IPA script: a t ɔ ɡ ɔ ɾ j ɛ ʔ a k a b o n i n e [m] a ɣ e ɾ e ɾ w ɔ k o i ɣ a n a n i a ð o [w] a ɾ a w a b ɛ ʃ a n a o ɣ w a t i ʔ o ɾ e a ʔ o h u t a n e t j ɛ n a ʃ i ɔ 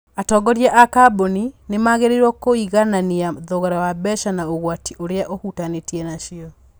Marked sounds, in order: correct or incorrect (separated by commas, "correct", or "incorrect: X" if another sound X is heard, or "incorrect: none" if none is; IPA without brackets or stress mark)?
correct, incorrect: ɣ